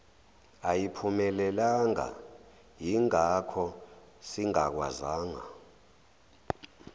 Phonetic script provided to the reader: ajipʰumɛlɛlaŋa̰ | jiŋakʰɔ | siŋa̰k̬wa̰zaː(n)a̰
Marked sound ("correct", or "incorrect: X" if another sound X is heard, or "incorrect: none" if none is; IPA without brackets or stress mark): incorrect: ŋ